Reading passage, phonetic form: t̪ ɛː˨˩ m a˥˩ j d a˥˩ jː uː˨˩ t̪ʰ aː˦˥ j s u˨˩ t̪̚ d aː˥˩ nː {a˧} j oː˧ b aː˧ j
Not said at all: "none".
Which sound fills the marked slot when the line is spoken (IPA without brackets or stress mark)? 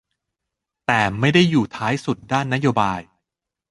a˦˥